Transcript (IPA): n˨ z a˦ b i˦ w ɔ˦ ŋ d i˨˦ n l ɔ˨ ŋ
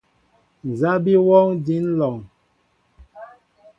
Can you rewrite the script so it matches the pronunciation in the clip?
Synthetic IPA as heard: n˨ z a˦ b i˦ w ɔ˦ ŋ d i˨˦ n l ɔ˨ ŋ